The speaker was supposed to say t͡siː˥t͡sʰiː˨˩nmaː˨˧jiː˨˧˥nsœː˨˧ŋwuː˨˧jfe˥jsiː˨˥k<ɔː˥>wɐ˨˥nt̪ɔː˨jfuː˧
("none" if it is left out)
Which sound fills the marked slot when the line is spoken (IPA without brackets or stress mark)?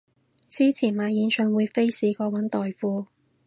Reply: ɔː˧